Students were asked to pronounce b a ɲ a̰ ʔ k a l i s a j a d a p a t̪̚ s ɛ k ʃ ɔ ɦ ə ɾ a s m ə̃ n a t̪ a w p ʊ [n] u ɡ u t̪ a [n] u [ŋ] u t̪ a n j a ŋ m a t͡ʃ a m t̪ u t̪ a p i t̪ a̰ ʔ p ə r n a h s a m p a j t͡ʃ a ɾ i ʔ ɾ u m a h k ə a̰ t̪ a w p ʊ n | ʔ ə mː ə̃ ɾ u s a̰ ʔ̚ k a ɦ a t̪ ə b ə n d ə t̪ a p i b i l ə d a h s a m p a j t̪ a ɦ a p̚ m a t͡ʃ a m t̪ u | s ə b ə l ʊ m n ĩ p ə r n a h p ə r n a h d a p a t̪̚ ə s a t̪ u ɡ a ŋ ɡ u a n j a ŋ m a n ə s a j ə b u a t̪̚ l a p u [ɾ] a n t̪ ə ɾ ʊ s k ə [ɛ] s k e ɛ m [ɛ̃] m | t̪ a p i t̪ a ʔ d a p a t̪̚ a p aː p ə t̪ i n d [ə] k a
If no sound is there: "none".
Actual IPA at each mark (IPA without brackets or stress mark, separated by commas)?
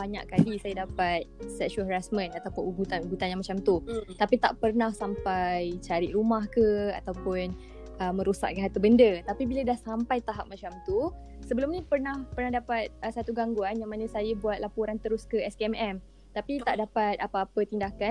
n, n, ɡ, ɾ, ɛ, ɛ, a